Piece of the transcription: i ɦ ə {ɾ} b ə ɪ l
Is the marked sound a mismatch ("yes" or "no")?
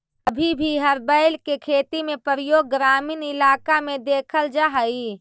no